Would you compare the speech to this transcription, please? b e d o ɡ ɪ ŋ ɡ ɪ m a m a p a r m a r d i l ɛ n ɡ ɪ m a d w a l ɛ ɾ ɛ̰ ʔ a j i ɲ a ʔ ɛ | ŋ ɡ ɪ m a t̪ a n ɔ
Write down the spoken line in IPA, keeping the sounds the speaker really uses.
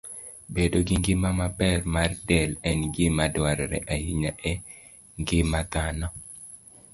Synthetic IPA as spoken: b e d o ɡ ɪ ŋ ɡ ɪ m a m a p ɛ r m a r d ɛ l ɛ n ɡ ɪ m a d w a ɾ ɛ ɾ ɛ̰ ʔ a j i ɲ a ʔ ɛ | ŋ ɡ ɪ m a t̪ a n ɔ